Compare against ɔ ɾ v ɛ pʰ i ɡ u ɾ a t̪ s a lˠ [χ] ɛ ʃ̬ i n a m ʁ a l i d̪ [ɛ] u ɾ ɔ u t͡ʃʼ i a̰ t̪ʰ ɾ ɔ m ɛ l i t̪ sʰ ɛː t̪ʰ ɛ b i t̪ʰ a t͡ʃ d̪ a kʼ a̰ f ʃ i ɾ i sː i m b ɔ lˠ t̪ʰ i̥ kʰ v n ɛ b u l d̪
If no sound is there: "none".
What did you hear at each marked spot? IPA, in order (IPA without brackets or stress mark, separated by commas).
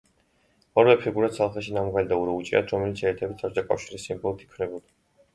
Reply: χ, a